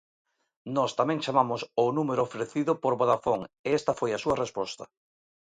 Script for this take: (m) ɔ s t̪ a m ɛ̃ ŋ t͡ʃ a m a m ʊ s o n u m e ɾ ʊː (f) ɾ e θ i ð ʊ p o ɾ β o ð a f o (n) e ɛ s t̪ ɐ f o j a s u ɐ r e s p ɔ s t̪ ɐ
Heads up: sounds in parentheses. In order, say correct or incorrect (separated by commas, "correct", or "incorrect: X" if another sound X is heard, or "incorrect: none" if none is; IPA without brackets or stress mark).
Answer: incorrect: n, correct, incorrect: ŋ